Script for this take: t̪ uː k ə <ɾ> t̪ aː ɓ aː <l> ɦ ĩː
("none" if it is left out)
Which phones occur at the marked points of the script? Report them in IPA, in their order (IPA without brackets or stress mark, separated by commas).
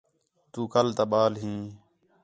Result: l, l